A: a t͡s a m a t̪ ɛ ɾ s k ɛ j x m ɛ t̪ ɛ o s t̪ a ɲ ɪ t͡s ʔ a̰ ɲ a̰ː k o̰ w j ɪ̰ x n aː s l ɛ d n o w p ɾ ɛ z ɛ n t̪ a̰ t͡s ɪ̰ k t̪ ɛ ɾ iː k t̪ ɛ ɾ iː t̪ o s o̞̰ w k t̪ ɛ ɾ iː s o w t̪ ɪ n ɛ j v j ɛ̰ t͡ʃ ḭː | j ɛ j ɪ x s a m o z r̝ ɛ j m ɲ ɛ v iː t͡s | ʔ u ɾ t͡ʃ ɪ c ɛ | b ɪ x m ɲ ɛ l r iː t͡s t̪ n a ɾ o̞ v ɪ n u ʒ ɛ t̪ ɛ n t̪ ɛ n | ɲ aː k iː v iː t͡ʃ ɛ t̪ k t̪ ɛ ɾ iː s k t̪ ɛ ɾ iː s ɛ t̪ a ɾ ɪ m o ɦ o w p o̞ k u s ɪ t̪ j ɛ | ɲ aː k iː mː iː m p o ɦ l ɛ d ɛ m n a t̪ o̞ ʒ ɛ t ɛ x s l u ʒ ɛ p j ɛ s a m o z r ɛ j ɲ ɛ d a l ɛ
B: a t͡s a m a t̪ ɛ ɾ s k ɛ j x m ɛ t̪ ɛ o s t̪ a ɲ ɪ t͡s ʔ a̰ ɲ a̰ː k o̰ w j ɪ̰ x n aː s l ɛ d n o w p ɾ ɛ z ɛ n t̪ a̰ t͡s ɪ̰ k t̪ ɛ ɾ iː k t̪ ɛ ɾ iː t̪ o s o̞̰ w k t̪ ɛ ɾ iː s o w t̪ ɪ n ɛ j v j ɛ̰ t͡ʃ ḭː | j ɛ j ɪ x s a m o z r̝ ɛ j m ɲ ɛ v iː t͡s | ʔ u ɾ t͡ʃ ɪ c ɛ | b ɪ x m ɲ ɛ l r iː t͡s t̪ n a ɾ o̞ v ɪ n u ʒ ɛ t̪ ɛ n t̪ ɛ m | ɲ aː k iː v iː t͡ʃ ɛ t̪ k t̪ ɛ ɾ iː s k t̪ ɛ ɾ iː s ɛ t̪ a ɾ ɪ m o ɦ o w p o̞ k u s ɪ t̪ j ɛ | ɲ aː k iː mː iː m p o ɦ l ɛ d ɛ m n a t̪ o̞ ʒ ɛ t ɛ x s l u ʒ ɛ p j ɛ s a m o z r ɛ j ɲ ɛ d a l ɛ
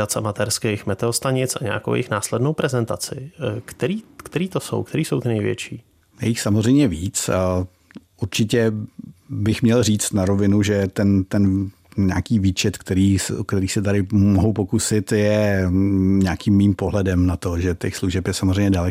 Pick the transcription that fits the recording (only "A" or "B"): A